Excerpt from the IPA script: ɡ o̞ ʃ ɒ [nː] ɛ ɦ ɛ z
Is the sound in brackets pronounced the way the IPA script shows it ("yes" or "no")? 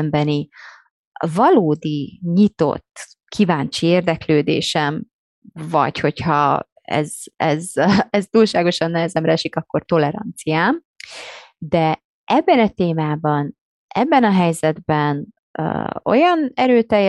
yes